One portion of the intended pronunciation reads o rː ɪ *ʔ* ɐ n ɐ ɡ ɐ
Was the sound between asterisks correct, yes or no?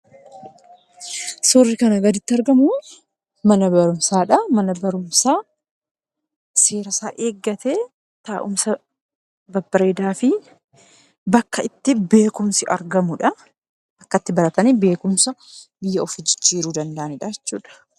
no